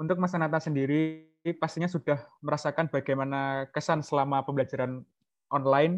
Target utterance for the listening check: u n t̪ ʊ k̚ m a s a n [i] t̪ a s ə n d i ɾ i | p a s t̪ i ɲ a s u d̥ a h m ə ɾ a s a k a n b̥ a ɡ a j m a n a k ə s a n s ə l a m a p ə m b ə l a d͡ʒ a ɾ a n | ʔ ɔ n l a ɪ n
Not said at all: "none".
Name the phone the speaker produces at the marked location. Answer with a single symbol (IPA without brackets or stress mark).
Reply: a